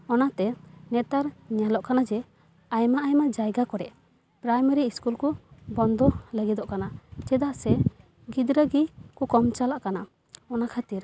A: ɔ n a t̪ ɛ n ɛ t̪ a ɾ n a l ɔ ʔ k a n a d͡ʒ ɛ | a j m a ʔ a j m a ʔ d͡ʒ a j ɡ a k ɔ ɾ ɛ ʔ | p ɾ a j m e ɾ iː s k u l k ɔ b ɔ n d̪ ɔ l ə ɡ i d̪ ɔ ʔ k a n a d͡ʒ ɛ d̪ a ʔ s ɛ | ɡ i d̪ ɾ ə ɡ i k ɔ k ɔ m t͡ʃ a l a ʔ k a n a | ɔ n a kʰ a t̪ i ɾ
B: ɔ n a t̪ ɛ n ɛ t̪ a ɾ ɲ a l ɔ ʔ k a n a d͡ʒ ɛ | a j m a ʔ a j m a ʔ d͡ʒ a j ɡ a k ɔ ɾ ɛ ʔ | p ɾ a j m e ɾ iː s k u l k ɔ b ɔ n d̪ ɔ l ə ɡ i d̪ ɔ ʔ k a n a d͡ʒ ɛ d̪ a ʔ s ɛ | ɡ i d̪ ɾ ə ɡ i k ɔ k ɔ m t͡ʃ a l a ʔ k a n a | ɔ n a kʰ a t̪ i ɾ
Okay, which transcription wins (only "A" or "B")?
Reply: B